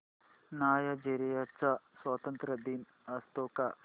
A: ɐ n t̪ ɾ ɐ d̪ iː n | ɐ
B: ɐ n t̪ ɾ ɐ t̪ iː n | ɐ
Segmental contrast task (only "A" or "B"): A